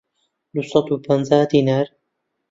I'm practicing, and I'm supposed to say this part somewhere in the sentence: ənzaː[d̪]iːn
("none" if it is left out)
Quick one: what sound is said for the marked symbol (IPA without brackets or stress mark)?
d̪